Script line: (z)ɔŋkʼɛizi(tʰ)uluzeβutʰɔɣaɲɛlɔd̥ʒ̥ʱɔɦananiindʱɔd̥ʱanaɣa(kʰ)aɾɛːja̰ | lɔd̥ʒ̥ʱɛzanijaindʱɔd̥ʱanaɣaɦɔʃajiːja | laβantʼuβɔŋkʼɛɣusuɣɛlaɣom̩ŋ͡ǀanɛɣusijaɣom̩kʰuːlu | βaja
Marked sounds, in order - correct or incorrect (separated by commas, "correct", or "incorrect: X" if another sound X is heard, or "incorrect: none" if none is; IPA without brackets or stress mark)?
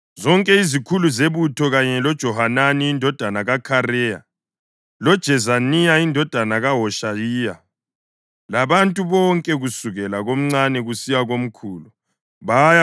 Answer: correct, incorrect: kʰ, correct